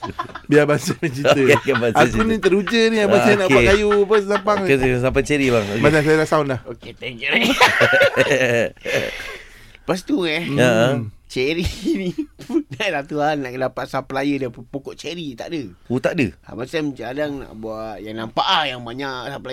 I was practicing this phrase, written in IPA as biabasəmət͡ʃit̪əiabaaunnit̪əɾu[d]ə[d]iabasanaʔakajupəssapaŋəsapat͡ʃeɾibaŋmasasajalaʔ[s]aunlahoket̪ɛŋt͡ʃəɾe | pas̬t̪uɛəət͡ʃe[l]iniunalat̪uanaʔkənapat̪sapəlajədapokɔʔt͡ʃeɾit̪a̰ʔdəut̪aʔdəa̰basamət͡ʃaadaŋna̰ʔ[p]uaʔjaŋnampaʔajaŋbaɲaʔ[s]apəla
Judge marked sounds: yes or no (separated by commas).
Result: no, no, yes, no, no, yes